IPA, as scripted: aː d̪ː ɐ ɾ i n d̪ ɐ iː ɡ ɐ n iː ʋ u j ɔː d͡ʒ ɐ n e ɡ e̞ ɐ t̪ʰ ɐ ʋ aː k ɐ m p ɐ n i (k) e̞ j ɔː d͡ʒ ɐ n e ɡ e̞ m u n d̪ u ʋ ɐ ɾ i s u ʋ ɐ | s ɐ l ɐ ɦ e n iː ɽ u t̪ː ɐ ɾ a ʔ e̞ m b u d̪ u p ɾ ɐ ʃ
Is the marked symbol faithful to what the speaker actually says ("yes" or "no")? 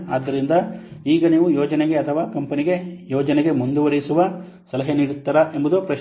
no